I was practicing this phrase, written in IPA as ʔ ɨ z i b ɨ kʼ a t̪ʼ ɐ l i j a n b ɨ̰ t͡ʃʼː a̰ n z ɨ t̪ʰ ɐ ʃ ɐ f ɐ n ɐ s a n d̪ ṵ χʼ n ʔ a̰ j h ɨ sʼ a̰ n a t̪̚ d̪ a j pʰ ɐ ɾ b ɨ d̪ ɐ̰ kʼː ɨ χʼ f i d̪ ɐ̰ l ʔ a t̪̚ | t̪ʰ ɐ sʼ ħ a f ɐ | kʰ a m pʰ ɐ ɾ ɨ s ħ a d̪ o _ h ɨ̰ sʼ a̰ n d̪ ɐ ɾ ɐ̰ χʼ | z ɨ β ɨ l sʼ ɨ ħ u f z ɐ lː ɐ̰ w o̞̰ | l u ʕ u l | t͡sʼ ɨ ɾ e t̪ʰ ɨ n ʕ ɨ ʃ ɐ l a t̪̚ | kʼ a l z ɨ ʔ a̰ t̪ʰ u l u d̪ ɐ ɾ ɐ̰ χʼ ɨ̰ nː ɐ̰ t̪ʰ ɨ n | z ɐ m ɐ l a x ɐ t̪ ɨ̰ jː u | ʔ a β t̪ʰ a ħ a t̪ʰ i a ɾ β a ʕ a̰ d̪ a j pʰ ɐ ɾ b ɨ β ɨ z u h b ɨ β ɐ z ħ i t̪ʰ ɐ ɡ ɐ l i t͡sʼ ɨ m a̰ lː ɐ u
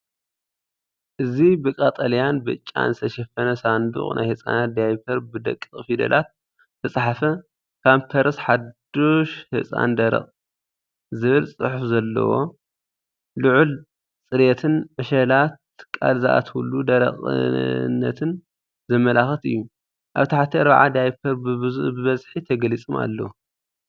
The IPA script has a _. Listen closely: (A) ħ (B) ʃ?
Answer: B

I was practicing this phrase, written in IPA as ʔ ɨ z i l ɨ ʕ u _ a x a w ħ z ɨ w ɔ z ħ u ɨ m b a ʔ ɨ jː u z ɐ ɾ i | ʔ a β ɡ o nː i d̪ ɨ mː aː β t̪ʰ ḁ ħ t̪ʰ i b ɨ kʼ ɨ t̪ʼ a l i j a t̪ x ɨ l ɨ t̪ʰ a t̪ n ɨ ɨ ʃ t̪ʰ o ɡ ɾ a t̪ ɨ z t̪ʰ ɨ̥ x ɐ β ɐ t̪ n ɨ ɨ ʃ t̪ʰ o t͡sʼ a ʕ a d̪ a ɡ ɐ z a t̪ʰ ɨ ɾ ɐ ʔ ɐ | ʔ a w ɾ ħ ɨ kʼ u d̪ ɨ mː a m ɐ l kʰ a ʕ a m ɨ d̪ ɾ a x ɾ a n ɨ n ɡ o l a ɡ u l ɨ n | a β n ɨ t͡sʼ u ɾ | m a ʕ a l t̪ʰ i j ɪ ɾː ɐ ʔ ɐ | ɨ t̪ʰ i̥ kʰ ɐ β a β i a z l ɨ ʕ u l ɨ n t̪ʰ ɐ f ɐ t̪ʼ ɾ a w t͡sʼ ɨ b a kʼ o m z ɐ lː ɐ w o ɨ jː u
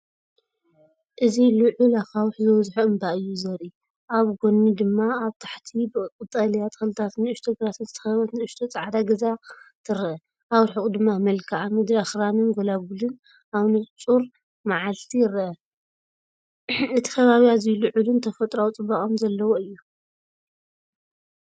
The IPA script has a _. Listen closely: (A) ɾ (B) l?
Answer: B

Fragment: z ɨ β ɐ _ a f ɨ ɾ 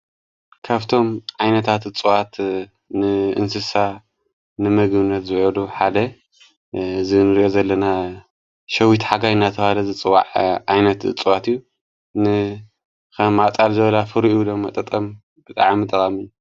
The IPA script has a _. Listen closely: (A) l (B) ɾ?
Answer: A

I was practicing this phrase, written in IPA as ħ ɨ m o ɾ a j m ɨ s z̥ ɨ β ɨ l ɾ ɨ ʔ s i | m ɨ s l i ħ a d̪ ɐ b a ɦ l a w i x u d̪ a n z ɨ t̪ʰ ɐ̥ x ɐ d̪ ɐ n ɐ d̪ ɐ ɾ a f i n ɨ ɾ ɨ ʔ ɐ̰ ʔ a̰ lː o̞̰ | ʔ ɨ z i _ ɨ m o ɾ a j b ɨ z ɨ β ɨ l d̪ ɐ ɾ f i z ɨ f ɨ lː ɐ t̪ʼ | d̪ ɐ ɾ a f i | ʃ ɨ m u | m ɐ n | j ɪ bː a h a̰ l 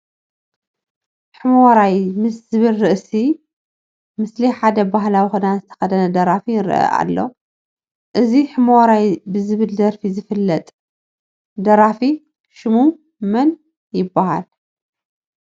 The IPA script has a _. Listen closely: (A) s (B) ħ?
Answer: B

